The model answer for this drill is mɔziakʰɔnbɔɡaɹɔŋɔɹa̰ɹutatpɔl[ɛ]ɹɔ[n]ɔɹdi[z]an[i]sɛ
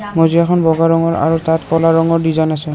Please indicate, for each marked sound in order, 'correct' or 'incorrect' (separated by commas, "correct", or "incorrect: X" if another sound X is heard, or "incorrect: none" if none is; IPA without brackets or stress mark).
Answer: incorrect: a, incorrect: ŋ, correct, incorrect: a